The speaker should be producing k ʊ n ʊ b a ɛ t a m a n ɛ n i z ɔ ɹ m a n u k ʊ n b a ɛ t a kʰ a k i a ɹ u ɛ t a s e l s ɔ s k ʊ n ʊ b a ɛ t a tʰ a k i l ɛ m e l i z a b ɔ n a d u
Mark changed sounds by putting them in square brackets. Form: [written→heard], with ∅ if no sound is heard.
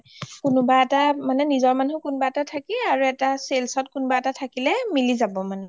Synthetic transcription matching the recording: k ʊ n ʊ b a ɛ t a m a n ɛ n i z ɔ ɹ m a n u k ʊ n b a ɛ t a [kʰ→tʰ] a k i a ɹ u ɛ t a s e l s ɔ [s→t] k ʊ n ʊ b a ɛ t a tʰ a k i l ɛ m [e→i] l i z a b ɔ [n→m] a [d→n] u